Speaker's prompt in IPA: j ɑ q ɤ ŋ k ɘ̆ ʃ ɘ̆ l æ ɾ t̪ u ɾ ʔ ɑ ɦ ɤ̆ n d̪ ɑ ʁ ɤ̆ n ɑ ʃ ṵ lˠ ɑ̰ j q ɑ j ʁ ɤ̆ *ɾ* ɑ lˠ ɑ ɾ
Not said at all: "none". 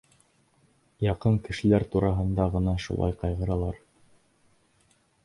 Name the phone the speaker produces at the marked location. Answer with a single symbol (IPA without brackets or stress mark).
ɾ